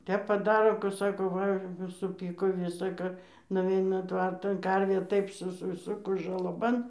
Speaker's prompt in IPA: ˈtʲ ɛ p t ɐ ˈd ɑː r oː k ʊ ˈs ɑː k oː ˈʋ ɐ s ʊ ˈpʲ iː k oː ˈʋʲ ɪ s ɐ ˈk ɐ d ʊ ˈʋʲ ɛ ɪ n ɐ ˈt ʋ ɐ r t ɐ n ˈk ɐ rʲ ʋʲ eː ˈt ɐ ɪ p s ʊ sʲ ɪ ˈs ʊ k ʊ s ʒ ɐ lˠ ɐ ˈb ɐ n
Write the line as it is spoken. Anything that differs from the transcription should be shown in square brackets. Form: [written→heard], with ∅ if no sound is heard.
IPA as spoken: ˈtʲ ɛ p [t→p] ɐ ˈd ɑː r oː k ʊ ˈs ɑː k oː ˈʋ ɐ s ʊ ˈpʲ iː k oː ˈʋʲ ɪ s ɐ ˈk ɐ [d→n] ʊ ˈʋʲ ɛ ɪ n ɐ ˈt ʋ ɐ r t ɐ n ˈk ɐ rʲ ʋʲ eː ˈt ɐ ɪ p s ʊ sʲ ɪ ˈs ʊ k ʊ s ʒ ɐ lˠ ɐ ˈb ɐ n